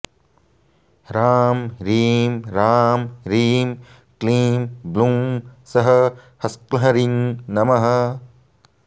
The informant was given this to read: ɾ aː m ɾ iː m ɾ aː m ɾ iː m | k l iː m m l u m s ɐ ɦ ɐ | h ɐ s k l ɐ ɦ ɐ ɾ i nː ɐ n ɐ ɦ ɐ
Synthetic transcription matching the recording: ɾ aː m ɾ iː m ɾ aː m ɾ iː m | k l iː m b l u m s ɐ ɦ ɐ | h ɐ s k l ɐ ɦ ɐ ɾ i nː ɐ m ɐ ɦ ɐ